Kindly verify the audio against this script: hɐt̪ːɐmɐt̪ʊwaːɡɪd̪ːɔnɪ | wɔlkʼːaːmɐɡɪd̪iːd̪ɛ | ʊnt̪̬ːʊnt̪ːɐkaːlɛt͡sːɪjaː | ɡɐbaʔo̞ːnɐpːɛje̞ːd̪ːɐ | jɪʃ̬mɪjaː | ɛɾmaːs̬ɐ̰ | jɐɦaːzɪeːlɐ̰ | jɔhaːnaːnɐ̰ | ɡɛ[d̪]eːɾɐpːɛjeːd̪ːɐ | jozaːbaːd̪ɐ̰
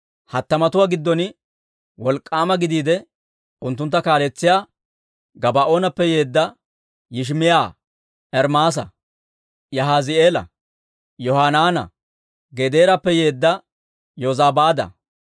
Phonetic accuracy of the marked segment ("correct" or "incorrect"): correct